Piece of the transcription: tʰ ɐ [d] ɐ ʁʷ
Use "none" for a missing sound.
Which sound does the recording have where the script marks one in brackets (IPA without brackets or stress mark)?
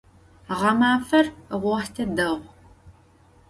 d